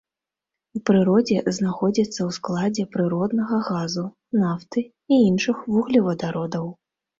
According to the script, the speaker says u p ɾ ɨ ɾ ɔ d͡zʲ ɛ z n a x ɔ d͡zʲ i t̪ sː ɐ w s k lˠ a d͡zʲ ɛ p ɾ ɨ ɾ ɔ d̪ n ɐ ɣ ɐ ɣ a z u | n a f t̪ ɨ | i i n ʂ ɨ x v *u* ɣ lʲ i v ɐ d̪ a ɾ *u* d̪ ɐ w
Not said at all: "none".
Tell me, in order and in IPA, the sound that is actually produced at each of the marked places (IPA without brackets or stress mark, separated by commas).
u, ɔ